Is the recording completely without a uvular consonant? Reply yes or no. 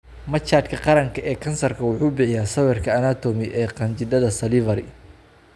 no